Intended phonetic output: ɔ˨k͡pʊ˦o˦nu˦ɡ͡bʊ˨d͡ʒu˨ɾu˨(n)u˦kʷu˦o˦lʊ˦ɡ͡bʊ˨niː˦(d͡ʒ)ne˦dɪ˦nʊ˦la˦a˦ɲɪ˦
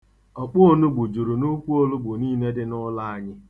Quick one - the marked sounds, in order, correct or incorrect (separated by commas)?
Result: correct, incorrect